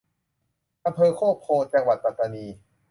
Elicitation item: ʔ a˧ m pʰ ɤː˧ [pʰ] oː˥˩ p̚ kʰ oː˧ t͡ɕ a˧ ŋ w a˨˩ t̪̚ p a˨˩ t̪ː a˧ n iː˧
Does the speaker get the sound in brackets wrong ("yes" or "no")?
yes